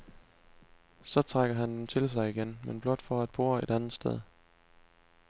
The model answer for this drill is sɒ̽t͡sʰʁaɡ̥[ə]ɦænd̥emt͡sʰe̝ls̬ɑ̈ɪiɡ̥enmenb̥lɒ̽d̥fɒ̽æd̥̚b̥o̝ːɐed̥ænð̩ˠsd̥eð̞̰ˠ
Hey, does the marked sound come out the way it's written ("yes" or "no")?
no